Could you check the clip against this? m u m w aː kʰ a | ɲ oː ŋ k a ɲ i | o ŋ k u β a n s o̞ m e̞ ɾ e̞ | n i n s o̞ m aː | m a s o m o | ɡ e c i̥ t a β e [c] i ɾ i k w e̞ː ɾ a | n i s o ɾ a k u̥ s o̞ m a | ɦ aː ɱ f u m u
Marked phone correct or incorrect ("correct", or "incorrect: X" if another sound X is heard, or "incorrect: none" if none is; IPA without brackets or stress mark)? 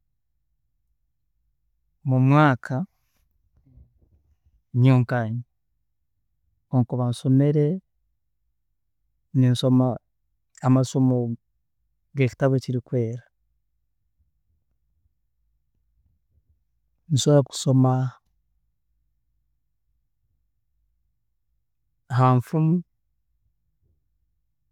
correct